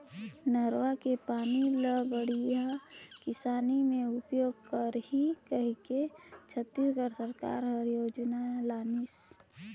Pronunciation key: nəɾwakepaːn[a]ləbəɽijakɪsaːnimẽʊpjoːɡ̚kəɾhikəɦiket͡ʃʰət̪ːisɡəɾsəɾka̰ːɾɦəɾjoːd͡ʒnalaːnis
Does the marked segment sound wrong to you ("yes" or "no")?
yes